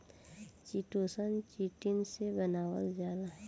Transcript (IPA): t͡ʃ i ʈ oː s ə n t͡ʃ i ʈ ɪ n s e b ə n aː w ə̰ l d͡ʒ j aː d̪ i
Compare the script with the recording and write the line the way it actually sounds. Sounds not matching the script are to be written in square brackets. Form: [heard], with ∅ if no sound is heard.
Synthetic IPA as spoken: t͡ʃ i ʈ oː s ə n t͡ʃ i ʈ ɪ n s e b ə n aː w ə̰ l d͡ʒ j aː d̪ [a]

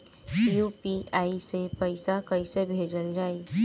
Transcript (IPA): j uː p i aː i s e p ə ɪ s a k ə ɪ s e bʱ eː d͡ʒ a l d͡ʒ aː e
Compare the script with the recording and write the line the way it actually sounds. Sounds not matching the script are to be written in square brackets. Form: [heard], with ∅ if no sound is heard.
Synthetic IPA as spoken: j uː p i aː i s e p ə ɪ s a k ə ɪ s e bʱ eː d͡ʒ [ə] l d͡ʒ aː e

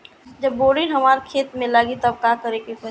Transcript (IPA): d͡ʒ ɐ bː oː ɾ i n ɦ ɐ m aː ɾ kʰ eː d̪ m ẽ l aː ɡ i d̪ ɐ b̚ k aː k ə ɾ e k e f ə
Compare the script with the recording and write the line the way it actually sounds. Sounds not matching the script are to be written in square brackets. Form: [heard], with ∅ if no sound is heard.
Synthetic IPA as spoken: d͡ʒ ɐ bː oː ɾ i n ɦ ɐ m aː ɾ kʰ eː [t̪] m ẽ l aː ɡ i [t̪] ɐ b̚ k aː k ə ɾ e k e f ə

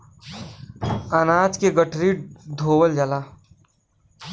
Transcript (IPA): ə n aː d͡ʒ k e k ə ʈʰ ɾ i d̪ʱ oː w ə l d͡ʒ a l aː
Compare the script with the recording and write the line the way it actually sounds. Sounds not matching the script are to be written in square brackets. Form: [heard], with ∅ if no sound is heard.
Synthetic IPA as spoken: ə n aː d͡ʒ k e [ɡ] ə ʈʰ ɾ i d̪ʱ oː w ə l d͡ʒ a l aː

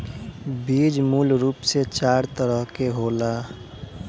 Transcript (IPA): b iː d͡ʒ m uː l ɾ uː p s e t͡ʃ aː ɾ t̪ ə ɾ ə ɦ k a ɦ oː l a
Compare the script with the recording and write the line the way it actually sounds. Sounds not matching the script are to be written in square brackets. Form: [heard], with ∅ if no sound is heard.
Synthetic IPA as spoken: b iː d͡ʒ m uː l ɾ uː p s e t͡ʃ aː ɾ t̪ ə ɾ ə ɦ k [e] ɦ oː l a

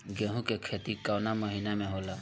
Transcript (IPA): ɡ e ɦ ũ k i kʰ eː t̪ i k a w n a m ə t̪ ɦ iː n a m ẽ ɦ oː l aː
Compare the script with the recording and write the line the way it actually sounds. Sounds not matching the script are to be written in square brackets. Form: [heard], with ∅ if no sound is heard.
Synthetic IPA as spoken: ɡ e ɦ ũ k [e] kʰ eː t̪ i k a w n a m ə [∅] ɦ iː n a m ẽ ɦ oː l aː

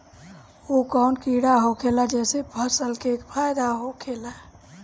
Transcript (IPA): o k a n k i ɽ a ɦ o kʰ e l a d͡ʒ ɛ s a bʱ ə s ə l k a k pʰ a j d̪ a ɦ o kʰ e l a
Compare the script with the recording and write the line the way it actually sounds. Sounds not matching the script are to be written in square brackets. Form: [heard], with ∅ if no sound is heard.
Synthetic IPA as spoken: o k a n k i ɽ a ɦ o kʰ e l a d͡ʒ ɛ s [e] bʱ ə s ə l k [e] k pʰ a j d̪ a ɦ o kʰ e l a

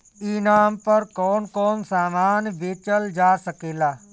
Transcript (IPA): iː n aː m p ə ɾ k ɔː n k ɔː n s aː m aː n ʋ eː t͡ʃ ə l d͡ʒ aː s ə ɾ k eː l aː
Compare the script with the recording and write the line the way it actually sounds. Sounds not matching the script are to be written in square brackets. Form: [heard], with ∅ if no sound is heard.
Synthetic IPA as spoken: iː n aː m p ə ɾ k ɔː n k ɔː n s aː m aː n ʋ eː t͡ʃ ə l d͡ʒ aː s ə [∅] k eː l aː

